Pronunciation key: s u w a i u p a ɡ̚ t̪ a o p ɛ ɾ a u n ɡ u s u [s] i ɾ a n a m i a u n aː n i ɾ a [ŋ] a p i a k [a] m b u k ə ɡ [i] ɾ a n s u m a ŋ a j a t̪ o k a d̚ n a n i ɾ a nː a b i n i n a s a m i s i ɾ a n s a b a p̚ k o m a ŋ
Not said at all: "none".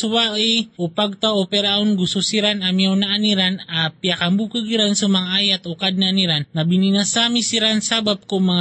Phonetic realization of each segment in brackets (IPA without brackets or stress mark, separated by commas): s, n, a, i